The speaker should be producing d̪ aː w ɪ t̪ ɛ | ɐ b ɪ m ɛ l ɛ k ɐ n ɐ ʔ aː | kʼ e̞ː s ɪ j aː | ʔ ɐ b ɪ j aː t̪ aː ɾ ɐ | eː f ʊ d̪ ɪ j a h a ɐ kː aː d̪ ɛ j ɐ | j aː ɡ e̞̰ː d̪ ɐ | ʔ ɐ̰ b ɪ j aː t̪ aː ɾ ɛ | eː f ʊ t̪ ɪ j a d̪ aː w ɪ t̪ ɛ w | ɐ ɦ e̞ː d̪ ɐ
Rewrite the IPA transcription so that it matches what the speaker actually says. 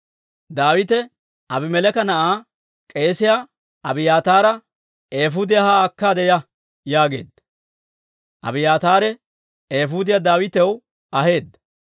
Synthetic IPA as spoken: d̪ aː w ɪ t̪ ɛ | ɐ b ɪ m ɛ l ɛ k ɐ n ɐ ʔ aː | kʼ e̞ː s ɪ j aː | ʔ ɐ b ɪ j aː t̪ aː ɾ ɐ | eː f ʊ d̪ ɪ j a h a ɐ kː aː d̪ ɛ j ɐ | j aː ɡ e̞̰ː d̪ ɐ | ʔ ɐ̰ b ɪ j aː t̪ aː ɾ ɛ | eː f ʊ d̪ ɪ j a d̪ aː w ɪ t̪ ɛ w | ɐ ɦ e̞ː d̪ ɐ

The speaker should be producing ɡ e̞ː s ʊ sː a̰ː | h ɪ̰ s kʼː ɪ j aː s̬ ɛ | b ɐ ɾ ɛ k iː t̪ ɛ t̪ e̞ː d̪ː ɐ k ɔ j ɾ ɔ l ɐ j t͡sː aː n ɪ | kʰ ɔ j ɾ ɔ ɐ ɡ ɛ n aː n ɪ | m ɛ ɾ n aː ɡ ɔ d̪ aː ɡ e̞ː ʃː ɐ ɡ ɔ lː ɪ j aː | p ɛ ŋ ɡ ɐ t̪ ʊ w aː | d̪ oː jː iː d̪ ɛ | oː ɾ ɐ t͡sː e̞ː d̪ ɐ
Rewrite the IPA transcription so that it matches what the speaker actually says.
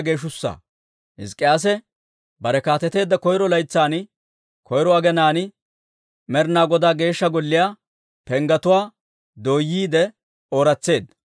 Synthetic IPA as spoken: ɡ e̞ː ʃ ʊ sː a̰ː | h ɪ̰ s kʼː ɪ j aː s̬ ɛ | b ɐ ɾ ɛ k aː t̪ ɛ t̪ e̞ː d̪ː ɐ k ɔ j ɾ ɔ l ɐ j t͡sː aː n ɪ | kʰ ɔ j ɾ ɔ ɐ ɡ ɛ n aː n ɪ | m ɛ ɾ n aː ɡ ɔ d̪ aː ɡ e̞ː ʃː ɐ ɡ ɔ lː ɪ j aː | p ɛ ŋ ɡ ɐ t̪ ʊ w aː | d̪ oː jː iː d̪ ɛ | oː ɾ ɐ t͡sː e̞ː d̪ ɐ

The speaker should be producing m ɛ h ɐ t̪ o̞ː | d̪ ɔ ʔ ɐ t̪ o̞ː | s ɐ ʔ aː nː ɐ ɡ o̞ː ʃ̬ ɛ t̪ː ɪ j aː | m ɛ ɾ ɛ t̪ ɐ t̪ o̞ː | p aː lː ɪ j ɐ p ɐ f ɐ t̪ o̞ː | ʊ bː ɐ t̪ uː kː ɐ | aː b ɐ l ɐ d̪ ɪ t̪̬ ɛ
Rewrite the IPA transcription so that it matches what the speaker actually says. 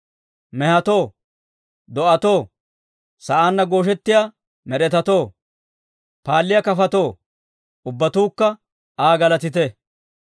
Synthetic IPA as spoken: m ɛ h ɐ t̪ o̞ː | d̪ ɔ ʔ ɐ t̪ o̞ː | s ɐ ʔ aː nː ɐ ɡ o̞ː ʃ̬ ɛ t̪ː ɪ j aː | m ɛ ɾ ɛ t̪ ɐ t̪ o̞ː | p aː lː ɪ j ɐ k ɐ f ɐ t̪ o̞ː | ʊ bː ɐ t̪ uː kː ɐ | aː ɡ ɐ l ɐ t̪ ɪ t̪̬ ɛ

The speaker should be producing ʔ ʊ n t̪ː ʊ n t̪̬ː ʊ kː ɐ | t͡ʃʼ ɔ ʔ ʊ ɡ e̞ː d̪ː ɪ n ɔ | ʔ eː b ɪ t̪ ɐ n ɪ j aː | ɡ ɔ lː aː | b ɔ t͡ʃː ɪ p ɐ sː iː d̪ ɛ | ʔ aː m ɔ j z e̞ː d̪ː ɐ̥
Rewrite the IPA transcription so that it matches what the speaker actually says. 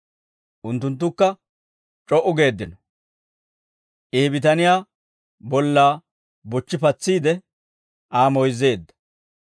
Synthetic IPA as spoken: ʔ ʊ n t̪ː ʊ n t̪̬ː ʊ kː ɐ | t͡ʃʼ ɔ ʔ ʊ ɡ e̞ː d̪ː ɪ n ɔ | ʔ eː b ɪ t̪ ɐ n ɪ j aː | b ɔ lː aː | b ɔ t͡ʃː ɪ p ɐ t͡sː iː d̪ ɛ | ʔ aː m ɔ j z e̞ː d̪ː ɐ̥

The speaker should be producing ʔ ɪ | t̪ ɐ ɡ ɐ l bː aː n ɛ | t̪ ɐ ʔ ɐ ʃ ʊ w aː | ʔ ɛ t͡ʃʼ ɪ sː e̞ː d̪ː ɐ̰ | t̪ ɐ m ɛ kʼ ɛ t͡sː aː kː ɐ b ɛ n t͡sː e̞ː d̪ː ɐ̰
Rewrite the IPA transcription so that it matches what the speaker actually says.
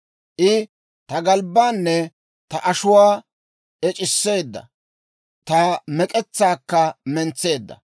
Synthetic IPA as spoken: ʔ ɪ | t̪ ɐ ɡ ɐ l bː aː nː ɛ | t̪ ɐ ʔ ɐ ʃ ʊ w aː | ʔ ɛ t͡ʃʼ ɪ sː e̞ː d̪ː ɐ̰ | t̪ ɐ m ɛ kʼ ɛ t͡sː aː kː ɐ m ɛ n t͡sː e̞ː d̪ː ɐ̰

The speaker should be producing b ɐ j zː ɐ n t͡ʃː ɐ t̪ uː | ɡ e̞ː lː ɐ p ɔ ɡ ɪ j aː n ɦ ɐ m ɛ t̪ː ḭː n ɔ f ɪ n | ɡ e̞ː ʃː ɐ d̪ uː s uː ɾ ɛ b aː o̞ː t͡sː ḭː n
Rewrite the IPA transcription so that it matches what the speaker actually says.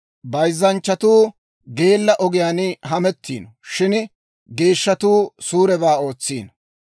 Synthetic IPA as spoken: b ɐ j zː ɐ n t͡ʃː ɐ t̪ uː | ɡ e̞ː lː ɐ ʔ ɔ ɡ ɪ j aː n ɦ ɐ m ɛ t̪ː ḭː n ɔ ʃ ɪ n | ɡ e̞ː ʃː ɐ t̪ uː s uː ɾ ɛ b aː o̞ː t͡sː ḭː n

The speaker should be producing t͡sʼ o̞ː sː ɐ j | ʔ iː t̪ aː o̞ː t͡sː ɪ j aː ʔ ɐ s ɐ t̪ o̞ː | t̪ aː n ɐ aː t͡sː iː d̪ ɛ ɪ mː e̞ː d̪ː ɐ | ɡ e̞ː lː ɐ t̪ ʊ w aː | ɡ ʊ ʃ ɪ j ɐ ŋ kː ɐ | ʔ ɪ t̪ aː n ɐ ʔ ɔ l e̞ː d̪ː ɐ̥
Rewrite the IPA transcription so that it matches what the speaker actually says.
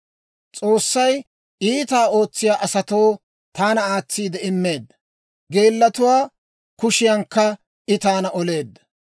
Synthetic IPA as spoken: t͡sʼ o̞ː sː ɐ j | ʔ iː t̪ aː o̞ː t͡sː ɪ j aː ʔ ɐ s ɐ t̪ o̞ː | t̪ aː n ɐ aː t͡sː iː d̪ ɛ ɪ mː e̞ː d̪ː ɐ | ɡ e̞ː lː ɐ t̪ ʊ w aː | k ʊ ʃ ɪ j ɐ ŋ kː ɐ | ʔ ɪ t̪ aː n ɐ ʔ ɔ l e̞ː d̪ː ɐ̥

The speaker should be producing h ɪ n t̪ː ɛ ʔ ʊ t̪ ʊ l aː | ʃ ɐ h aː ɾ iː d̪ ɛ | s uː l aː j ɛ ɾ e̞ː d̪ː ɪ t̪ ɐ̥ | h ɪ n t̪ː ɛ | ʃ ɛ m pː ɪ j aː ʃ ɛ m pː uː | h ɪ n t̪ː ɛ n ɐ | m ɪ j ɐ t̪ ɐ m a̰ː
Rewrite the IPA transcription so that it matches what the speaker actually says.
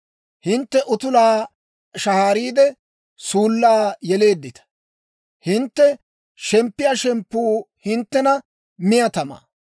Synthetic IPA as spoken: h ɪ n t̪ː ɛ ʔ ʊ t̪ ʊ l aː | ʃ ɐ h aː ɾ iː d̪ ɛ | s uː lː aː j ɛ l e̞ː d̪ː ɪ t̪ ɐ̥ | h ɪ n t̪ː ɛ | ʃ ɛ m pː ɪ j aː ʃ ɛ m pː uː | h ɪ n t̪ː ɛ n ɐ | m ɪ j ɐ t̪ ɐ m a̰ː

